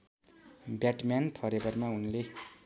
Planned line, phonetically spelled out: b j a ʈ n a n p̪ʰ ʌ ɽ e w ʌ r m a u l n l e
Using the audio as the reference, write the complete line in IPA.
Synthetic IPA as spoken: b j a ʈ m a n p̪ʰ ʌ ɾ e b ʌ r m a u n l e